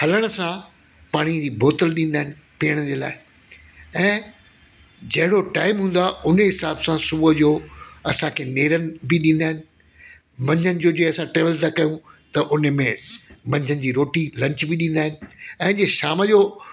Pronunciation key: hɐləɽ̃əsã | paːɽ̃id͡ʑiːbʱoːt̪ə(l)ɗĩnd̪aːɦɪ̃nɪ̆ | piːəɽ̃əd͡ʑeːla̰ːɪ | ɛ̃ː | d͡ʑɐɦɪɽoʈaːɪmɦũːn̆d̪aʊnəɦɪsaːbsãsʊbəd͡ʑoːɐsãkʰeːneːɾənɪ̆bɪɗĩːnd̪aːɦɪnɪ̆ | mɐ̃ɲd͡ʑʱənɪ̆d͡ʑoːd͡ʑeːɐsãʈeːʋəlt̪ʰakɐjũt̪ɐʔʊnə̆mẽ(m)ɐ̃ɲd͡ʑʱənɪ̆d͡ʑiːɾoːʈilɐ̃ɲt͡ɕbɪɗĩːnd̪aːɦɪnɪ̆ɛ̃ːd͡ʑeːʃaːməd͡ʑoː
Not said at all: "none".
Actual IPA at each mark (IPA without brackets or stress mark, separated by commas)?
l, m